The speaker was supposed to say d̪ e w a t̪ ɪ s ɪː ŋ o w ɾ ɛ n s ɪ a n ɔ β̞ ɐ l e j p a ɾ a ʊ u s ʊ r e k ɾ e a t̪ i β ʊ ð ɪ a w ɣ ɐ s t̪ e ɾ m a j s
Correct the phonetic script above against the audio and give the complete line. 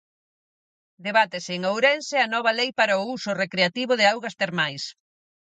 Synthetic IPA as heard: d̪ e β a t̪ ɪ s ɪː ŋ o w ɾ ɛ n s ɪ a n ɔ β̞ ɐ l e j p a ɾ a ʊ u s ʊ r e k ɾ e a t̪ i β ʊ ð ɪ a w ɣ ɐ s t̪ e ɾ m a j s